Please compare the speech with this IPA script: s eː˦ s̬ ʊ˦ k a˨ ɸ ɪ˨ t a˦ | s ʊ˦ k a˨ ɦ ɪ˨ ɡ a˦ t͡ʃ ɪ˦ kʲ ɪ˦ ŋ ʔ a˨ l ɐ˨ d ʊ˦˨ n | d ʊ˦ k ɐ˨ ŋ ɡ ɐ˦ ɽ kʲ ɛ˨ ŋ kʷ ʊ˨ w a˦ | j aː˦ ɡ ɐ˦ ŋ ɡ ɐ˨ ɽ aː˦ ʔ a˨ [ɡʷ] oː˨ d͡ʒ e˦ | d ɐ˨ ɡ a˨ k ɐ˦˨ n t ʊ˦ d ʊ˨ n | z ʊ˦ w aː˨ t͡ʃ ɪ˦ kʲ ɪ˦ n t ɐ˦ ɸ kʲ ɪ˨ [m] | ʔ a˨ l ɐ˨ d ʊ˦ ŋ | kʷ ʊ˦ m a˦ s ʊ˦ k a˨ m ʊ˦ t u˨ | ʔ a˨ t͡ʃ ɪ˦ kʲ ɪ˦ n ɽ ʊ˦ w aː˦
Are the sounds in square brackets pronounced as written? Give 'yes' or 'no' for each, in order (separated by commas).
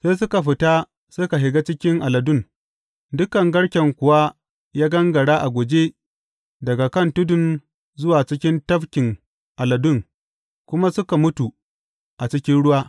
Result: yes, no